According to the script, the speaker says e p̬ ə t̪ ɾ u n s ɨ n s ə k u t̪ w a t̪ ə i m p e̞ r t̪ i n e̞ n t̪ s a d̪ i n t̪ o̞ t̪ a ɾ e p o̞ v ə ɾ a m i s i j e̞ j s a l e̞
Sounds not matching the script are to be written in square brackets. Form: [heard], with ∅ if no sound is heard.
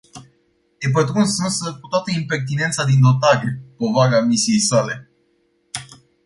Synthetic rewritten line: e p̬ ə t̪ ɾ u n s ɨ n s ə k u t̪ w a t̪ ə i m p e̞ r t̪ i n e̞ n t̪ s a d̪ i n [d̪] o̞ t̪ a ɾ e p o̞ v [a] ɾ a m i s i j e̞ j s a l e̞

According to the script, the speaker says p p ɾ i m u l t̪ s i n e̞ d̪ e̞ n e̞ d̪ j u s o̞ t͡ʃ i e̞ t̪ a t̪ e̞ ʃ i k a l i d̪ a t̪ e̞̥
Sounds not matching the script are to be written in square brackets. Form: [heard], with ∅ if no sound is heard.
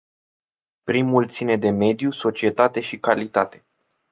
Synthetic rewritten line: p p ɾ i m u l t̪ s i n e̞ d̪ e̞ [m] e̞ d̪ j u s o̞ t͡ʃ i e̞ t̪ a t̪ e̞ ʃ i k a l i [t̪] a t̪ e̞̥

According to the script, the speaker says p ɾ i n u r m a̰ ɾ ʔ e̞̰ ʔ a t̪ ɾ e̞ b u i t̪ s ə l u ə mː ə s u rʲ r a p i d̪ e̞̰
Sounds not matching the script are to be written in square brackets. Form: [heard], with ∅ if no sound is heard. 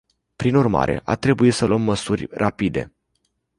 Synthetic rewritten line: p ɾ i n u r m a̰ ɾ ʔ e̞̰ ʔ a t̪ ɾ e̞ b u i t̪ s ə l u ə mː ə s u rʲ r a p i d̪ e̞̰

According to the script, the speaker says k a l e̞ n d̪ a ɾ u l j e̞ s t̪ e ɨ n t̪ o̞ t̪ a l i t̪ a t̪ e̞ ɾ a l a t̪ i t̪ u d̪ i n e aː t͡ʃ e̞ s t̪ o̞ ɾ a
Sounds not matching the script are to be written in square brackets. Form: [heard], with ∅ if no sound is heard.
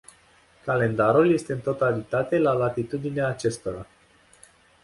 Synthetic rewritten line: k a l e̞ n d̪ a ɾ u l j e̞ s t̪ e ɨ n t̪ o̞ t̪ a l i t̪ a t̪ e̞ [l] a l a t̪ i t̪ u d̪ i n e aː t͡ʃ e̞ s t̪ o̞ ɾ a

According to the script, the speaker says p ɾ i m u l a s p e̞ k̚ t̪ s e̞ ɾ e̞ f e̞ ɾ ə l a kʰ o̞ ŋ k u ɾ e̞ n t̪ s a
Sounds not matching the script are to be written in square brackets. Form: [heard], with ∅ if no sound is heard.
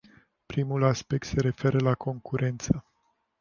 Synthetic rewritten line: p ɾ i m u l a s p e̞ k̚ t̪ s e̞ ɾ e̞ f e̞ ɾ ə l a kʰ o̞ ŋ k u ɾ e̞ n t̪ s [ə]

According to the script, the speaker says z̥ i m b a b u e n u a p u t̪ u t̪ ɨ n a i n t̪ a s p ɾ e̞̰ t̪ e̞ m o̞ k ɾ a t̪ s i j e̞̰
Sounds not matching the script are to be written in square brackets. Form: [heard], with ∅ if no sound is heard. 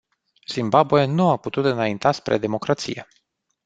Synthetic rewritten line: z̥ i m b a b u e n u a p u t̪ u t̪ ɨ n a i n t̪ a s p ɾ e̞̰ [d̪] e̞ m o̞ k ɾ a t̪ s i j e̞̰

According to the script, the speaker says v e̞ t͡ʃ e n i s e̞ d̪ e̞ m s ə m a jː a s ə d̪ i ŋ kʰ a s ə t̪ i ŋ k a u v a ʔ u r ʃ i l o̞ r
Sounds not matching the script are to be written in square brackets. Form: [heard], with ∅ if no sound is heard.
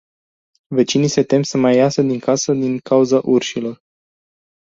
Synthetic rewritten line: v e̞ t͡ʃ [i] n i s e̞ [t̪] e̞ m s ə m a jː a s ə d̪ i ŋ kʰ a s ə [d̪] i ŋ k a u [z] a ʔ u r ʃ i l o̞ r

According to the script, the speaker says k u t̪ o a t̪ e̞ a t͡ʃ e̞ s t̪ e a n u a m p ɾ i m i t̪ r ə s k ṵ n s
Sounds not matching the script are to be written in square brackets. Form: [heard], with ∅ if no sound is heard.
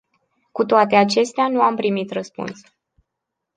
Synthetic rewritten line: k u t̪ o a t̪ e̞ a t͡ʃ e̞ s t̪ e a n u a m p ɾ i m i t̪ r ə s [p] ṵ n s

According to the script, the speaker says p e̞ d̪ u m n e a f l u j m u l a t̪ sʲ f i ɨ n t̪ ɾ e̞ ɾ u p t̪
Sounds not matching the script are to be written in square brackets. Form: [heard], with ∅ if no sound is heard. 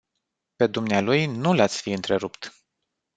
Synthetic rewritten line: p e̞ d̪ u m n e a [∅] l u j [n] u l a t̪ sʲ f i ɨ n t̪ ɾ e̞ ɾ u p t̪

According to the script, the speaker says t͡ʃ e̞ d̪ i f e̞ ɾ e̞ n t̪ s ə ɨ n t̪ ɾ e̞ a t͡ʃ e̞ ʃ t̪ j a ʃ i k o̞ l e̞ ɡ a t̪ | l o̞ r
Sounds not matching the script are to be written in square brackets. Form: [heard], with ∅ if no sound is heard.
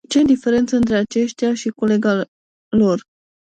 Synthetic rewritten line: t͡ʃ e̞ d̪ i f e̞ ɾ e̞ n t̪ s ə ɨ n t̪ ɾ e̞ a t͡ʃ e̞ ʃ t̪ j a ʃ i k o̞ l e̞ ɡ a [∅] | l o̞ r

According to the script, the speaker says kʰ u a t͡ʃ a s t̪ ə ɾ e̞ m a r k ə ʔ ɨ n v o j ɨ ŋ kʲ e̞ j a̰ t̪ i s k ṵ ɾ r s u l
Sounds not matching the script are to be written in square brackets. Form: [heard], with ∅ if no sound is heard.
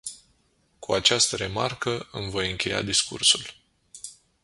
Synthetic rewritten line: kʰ u a t͡ʃ a s t̪ ə ɾ e̞ m a r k ə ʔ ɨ [m] v o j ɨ ŋ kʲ e̞ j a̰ [d̪] i s k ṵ [∅] r s u l

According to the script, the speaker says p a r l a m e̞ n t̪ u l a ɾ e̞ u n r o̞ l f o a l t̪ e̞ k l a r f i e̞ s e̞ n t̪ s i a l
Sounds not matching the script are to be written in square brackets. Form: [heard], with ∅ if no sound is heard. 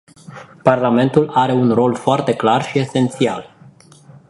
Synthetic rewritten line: p a r l a m e̞ n t̪ u l a ɾ e̞ u n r o̞ l f o a [r] t̪ e̞ k l a r [ʃ] i e̞ s e̞ n t̪ s i a l

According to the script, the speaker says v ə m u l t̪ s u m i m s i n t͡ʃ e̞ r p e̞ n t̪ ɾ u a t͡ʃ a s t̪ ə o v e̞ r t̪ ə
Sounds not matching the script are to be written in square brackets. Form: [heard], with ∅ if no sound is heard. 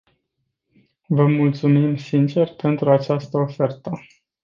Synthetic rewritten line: v ə m u l t̪ s u m i m s i n t͡ʃ e̞ r p e̞ n t̪ ɾ u a t͡ʃ a s t̪ ə o [f] e̞ r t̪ ə

